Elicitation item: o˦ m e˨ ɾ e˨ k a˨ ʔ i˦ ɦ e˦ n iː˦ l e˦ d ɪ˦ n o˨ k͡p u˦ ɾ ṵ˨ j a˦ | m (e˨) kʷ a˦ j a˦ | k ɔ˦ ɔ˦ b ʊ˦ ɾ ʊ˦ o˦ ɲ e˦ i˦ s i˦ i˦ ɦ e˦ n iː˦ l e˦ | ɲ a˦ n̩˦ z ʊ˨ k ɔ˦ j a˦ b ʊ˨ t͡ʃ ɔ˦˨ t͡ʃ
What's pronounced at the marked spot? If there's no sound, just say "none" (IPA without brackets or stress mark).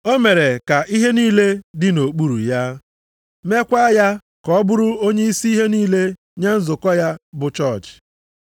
e˦